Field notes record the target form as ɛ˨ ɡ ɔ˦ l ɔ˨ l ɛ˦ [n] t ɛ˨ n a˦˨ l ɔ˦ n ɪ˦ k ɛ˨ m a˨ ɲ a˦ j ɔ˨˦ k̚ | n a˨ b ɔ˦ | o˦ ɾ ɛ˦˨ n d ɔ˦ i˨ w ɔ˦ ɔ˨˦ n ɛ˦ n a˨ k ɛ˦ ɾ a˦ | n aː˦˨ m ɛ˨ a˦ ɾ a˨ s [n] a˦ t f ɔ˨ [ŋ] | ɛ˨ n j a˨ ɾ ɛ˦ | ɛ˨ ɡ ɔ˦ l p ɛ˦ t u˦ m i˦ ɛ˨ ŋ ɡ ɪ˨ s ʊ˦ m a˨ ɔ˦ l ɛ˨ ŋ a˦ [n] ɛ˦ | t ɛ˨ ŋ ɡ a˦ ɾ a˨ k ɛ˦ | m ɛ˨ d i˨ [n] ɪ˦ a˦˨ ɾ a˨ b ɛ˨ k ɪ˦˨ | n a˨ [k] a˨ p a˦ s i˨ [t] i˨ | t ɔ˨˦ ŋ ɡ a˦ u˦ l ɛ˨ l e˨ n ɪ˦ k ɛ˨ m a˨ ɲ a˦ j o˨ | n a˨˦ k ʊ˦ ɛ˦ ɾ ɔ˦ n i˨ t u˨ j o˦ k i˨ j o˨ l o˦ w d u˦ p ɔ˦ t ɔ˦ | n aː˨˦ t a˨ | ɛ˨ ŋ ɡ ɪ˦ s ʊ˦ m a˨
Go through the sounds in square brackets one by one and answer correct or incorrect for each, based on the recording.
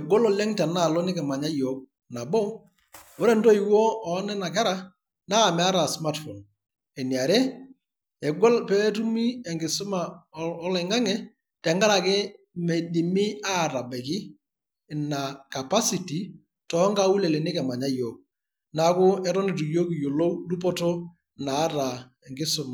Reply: incorrect: ŋ, incorrect: m, incorrect: n, incorrect: ŋ, incorrect: m, correct, correct

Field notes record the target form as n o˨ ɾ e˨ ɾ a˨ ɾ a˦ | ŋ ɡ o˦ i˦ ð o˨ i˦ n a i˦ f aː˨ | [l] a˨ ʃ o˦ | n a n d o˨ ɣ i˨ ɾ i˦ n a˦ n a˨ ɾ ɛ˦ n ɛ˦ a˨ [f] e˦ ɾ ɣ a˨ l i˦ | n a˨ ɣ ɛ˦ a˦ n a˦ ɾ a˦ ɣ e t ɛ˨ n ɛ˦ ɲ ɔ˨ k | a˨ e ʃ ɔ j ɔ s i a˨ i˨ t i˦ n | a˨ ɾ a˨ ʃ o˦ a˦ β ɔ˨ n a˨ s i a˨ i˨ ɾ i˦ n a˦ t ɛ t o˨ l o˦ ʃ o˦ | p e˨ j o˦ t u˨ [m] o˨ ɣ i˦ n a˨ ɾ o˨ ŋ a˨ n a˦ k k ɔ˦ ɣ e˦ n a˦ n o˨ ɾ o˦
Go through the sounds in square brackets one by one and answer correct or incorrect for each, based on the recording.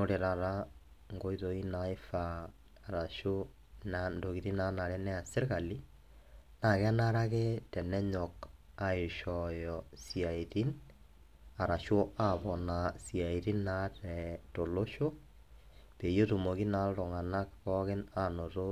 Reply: incorrect: ɾ, incorrect: s, correct

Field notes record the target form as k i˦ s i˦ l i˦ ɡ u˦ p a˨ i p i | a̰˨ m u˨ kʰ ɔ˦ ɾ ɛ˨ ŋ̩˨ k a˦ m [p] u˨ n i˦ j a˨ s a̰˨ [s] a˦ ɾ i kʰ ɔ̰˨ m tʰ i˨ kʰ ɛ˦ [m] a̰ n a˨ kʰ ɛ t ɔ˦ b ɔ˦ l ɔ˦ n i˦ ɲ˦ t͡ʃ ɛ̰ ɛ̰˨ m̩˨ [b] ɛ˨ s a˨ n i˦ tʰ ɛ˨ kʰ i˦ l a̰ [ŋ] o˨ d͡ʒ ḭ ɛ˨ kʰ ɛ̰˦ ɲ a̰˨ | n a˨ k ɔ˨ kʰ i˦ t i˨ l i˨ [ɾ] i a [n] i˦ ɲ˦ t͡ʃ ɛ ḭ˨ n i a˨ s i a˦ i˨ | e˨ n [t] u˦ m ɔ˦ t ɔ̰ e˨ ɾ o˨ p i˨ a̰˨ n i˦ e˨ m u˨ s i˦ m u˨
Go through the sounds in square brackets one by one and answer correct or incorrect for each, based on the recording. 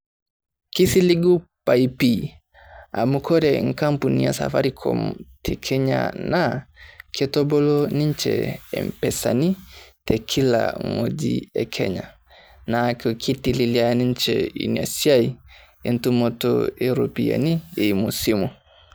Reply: correct, incorrect: f, incorrect: ɲ, incorrect: p, correct, incorrect: l, correct, correct

